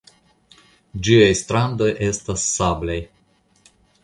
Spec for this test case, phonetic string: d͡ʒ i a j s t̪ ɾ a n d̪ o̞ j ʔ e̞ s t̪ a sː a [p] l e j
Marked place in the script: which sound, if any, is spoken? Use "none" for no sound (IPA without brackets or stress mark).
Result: b